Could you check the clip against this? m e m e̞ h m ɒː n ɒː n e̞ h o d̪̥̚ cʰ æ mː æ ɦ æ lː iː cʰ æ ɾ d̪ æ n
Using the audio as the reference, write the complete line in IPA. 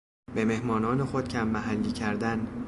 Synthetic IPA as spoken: b e m e̞ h m ɒː n ɒː n e̞ x o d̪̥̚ cʰ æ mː æ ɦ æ lː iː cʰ æ ɾ d̪ æ n